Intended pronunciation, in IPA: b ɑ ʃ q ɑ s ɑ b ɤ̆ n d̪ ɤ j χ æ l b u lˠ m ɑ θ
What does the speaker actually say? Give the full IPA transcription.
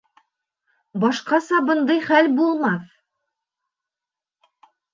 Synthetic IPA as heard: b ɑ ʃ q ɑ s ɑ b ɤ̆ n d̪ ɤ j χ æ l b u lˠ m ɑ θ